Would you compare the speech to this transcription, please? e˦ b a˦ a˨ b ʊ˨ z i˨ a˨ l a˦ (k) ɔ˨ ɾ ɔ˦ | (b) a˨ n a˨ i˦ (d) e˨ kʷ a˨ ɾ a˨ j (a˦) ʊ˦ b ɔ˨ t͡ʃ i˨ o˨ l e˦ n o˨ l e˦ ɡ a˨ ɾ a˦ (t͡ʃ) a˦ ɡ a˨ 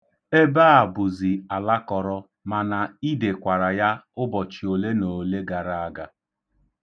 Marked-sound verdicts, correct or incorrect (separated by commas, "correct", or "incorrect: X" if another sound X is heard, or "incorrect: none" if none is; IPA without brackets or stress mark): correct, incorrect: m, correct, correct, incorrect: none